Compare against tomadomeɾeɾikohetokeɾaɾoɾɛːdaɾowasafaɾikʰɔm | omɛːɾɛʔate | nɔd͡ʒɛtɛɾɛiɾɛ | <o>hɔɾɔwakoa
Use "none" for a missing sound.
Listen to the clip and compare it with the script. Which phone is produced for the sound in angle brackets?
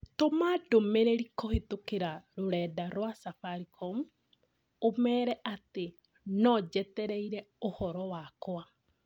o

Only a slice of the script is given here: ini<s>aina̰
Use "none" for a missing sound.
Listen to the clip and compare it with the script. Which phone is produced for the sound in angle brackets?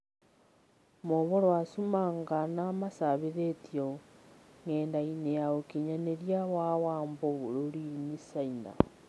s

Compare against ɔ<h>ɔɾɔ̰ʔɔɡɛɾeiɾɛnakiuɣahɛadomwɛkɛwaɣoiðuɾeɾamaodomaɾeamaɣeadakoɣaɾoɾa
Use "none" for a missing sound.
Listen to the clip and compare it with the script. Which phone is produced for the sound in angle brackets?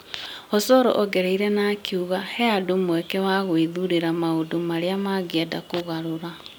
s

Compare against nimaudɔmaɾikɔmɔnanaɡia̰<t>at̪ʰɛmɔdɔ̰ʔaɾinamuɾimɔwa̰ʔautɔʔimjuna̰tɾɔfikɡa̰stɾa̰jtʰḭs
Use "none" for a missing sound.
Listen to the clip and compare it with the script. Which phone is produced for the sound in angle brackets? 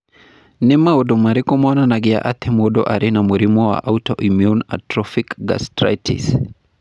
ʔ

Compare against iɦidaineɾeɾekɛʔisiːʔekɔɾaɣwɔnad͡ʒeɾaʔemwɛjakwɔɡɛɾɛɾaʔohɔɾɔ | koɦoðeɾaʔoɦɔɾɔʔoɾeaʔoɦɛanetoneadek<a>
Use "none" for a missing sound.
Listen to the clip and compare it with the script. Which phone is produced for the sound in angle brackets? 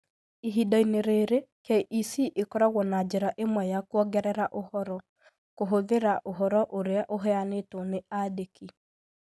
i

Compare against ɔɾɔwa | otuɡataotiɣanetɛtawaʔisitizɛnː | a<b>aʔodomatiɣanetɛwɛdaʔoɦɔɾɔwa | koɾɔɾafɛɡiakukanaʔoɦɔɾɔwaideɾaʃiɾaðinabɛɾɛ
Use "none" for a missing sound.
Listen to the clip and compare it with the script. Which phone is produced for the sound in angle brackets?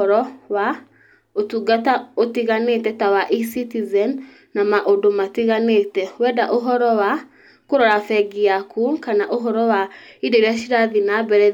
m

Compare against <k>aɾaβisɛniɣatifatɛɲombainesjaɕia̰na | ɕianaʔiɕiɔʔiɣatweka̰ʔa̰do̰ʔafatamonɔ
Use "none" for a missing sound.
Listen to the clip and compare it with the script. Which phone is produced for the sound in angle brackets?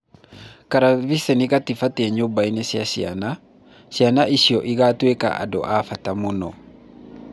k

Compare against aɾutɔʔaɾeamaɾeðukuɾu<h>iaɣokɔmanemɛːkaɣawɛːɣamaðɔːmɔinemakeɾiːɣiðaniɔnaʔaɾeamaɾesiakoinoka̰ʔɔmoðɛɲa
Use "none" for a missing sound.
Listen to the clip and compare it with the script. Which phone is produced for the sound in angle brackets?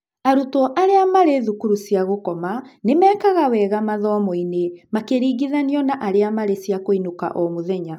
s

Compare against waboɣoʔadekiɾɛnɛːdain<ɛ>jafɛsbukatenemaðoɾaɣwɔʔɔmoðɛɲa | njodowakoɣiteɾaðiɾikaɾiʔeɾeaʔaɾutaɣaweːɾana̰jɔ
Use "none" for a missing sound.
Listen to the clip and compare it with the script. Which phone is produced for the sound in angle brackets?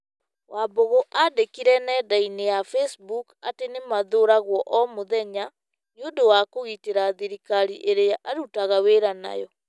e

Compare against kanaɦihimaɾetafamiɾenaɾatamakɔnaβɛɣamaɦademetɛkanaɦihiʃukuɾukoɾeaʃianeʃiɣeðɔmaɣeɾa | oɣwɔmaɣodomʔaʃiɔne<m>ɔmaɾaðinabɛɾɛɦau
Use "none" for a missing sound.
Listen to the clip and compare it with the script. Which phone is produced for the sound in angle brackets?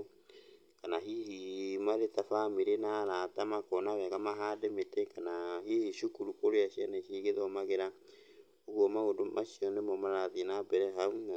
m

